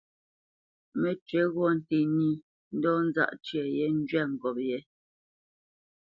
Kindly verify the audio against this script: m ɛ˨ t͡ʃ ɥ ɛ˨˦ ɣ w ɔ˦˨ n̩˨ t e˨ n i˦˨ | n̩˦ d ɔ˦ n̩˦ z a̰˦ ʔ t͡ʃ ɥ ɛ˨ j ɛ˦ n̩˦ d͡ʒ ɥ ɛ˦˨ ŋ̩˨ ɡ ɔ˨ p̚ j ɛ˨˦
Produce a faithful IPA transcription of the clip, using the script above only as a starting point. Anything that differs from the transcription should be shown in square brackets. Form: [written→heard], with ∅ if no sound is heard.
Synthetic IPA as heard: m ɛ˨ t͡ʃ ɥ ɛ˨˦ ɣ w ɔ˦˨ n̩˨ t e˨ n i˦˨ | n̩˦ d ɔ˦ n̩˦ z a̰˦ ʔ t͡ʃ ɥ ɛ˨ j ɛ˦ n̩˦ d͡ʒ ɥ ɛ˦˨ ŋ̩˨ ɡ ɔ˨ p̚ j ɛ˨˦